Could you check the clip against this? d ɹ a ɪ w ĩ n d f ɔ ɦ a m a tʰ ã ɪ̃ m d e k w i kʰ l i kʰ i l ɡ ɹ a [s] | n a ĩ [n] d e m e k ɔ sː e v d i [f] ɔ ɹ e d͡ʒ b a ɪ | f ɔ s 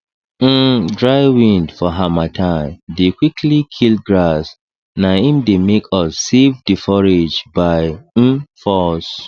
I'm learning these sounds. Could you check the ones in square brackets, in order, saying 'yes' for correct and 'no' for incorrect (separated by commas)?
yes, no, yes